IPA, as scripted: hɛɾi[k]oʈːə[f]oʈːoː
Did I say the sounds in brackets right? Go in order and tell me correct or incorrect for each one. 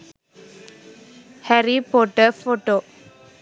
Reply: incorrect, correct

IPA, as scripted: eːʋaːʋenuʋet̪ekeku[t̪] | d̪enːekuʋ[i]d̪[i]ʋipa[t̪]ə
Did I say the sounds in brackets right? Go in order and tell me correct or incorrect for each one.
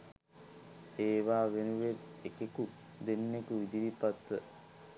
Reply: incorrect, correct, correct, correct

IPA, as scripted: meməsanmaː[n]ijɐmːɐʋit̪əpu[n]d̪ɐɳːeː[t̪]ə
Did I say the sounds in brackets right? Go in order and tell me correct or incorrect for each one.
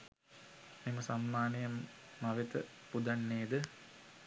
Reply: correct, incorrect, incorrect

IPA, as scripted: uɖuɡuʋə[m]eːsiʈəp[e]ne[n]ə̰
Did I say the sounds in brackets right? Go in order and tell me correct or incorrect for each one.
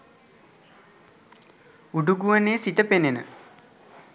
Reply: incorrect, correct, correct

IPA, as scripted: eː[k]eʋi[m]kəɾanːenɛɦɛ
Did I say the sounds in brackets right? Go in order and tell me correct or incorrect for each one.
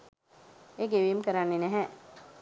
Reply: incorrect, correct

